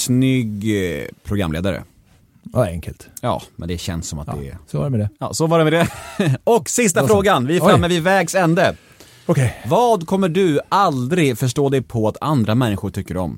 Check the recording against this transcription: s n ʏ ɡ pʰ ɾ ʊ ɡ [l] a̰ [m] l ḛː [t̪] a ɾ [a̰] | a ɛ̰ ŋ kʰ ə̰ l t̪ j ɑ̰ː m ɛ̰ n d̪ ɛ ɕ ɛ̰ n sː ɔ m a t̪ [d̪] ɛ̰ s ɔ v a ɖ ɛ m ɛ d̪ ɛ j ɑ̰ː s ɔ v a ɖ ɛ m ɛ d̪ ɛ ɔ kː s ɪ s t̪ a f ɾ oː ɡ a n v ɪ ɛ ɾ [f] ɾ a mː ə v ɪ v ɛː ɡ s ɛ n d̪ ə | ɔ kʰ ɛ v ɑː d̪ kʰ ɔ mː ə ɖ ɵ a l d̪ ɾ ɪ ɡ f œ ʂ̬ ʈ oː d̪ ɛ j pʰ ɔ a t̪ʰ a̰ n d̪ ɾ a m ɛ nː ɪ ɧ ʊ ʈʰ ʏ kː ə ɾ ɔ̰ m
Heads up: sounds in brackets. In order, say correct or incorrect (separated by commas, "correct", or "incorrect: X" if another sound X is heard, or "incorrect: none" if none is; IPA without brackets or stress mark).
incorrect: ɾ, correct, incorrect: d̪, incorrect: ə̰, correct, correct